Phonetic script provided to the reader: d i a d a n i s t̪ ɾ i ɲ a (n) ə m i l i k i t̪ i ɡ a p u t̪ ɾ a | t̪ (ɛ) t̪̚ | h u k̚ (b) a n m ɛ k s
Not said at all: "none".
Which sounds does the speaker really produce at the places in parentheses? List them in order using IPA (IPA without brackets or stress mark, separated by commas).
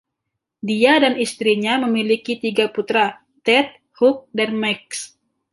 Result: m, ɛ, d